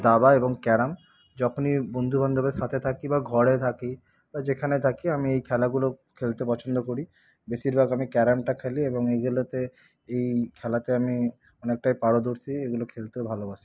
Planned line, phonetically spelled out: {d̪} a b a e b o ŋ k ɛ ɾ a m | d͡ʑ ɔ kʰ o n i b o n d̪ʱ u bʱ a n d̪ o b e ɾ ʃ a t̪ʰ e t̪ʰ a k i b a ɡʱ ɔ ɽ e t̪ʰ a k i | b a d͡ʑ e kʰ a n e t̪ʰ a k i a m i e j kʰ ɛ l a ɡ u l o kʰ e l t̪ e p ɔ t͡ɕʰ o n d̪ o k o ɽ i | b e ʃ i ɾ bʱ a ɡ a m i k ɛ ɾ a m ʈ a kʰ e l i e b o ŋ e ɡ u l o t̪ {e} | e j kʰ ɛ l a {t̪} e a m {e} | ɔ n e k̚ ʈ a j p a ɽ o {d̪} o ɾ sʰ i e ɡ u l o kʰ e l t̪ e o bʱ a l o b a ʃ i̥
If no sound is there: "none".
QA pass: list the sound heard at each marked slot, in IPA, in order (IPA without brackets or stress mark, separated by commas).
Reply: d̪, e, t̪, i, d̪